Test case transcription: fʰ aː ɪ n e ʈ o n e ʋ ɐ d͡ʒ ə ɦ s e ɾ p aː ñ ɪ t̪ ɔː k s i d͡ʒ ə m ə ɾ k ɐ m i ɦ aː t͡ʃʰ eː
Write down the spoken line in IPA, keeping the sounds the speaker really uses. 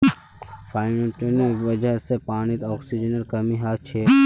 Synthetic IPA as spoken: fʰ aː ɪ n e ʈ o n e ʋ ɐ d͡ʒ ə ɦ s e p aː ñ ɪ t̪ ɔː k s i d͡ʒ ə n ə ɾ k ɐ m i ɦ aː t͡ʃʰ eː

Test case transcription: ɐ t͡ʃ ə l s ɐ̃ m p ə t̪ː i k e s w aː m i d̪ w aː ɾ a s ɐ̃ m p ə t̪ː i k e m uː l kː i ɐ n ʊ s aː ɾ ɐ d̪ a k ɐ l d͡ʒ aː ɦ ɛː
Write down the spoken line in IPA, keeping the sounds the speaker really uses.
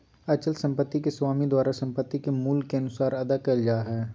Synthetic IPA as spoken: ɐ t͡ʃ ə l s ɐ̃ m p ə t̪ː i k e s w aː m i d̪ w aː ɾ a s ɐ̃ m p ə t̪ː i k e m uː l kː e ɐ n ʊ s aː ɾ ɐ d̪ a k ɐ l d͡ʒ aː ɦ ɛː

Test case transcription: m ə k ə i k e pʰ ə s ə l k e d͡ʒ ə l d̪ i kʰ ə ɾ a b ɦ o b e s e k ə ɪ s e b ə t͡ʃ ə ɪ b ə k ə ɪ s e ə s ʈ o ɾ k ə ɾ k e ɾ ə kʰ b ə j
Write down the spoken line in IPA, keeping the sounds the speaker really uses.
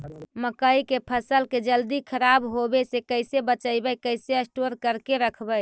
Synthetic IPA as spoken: m ə k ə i k e pʰ ə s ə l k e d͡ʒ ə l d̪ i kʰ ə ɾ a b ɦ o b e s e k ə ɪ s e b ə t͡ʃ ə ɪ b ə k ə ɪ s e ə s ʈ o ɾ k ə ɾ k e ɾ ə kʰ b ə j

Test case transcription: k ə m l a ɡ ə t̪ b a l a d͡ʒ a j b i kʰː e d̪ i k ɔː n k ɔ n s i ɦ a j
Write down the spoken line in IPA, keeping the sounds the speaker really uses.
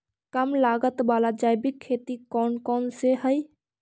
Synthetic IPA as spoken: k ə m l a ɡ ə t̪ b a l a d͡ʒ a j b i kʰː e t̪ i k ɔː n k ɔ n s e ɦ ə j

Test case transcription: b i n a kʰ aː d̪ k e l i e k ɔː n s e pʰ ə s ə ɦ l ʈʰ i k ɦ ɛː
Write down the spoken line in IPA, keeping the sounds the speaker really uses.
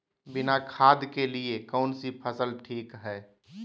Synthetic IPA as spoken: b ɪ n a kʰ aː d̪ k e l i e k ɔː n s i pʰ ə s ə l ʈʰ iː k ɦ ɛː

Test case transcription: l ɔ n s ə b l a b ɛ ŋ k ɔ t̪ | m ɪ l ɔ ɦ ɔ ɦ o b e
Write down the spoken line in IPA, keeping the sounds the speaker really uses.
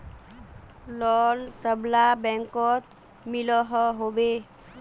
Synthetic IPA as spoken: l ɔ n s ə b l a b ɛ ŋ k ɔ t̪ | m i l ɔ ɦ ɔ ɦ o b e

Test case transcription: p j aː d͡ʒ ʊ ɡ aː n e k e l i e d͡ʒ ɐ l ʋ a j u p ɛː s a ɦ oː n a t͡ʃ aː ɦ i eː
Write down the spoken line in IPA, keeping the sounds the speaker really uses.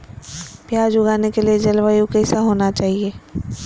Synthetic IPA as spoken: p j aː d͡ʒ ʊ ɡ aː n e k e l i e d͡ʒ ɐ l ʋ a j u k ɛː s a ɦ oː n a t͡ʃ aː ɦ i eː

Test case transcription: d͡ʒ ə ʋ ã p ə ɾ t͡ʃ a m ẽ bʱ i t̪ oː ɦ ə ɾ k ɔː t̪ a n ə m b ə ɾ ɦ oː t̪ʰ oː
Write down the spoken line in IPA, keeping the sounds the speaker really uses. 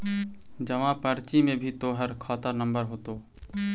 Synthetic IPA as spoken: d͡ʒ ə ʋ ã p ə ɾ t͡ʃ i m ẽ bʱ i t̪ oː ɦ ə ɾ kʰ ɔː t̪ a n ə m b ə ɾ ɦ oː t̪ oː

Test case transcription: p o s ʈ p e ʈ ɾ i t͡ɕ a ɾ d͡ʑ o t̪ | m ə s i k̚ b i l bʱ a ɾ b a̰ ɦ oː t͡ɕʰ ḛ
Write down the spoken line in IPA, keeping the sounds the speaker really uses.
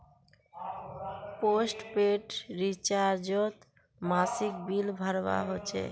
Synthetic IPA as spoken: p o s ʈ p e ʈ ɾ i t͡ɕ a ɾ d͡ʑ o t̪ | m a s i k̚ b i l bʱ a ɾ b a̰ ɦ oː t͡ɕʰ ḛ

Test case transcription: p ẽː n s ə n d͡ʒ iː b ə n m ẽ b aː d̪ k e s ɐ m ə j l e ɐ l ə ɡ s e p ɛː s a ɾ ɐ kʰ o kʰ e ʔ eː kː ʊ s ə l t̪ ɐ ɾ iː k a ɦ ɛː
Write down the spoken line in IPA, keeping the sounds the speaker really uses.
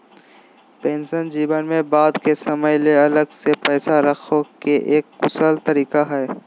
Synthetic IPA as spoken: p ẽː n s ə n d͡ʒ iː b ə n m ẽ b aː d̪ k e s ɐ m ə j l e ɐ l ə ɡ s e p ɛː s a ɾ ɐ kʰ o k e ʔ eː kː ʊ s ə l t̪ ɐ ɾ iː k a ɦ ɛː

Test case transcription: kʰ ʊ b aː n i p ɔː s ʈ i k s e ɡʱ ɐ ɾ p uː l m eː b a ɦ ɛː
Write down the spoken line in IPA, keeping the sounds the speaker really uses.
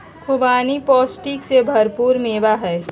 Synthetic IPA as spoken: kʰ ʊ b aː n i p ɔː s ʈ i k s e bʱ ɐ ɾ p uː ɾ m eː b a ɦ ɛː

